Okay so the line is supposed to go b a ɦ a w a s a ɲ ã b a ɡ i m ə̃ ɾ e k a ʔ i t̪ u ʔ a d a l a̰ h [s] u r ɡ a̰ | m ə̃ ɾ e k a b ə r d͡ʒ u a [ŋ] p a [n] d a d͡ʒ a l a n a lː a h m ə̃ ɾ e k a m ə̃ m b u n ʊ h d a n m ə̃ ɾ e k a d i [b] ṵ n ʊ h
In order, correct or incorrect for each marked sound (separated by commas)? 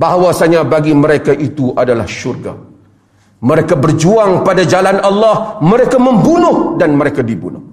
incorrect, correct, incorrect, correct